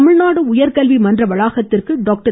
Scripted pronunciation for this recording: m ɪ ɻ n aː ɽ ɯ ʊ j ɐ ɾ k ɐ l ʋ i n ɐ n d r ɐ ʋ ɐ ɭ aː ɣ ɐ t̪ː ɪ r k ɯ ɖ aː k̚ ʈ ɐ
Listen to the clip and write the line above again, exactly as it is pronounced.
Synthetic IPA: m ɪ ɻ n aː ɽ ɯ ʊ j ɐ ɾ k ɐ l ʋ i m ɐ n d r ɐ ʋ ɐ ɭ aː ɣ ɐ t̪ː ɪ r k ɯ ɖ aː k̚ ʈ ɐ